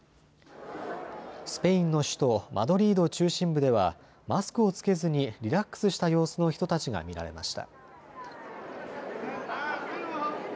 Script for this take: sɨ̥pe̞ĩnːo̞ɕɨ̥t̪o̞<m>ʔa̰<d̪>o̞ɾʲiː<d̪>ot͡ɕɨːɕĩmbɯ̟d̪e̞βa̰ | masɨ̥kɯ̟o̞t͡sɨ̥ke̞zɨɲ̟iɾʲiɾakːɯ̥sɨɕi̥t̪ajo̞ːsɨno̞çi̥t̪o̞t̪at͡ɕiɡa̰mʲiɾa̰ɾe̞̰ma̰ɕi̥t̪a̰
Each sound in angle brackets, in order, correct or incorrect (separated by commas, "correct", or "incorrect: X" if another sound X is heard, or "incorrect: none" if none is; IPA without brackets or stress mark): correct, correct, correct